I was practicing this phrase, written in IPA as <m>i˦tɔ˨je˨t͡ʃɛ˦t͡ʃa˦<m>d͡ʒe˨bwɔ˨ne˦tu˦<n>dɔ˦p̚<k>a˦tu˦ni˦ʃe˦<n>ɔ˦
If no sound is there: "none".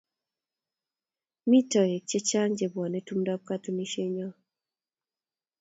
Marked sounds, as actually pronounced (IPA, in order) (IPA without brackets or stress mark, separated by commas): m, ŋ, m, k, ɲ